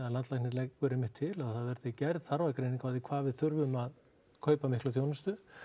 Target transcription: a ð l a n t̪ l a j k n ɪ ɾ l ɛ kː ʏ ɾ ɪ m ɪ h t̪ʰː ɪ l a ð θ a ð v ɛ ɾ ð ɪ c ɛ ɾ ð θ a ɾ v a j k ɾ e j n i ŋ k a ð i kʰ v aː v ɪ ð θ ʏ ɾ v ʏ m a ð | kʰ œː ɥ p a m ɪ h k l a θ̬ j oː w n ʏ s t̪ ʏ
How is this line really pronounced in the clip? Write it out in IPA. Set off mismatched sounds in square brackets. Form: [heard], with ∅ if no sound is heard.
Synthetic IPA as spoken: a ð l a n t̪ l a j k n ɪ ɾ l ɛ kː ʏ ɾ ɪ m ɪ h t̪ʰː ɪ l a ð θ a ð v ɛ ɾ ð ɪ c ɛ ɾ ð θ a ɾ v a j k ɾ e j n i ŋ k a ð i kʰ v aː v ɪ ð θ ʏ ɾ v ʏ m a ð | kʰ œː ɥ p a m ɪ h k l a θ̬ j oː w n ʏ s t̪ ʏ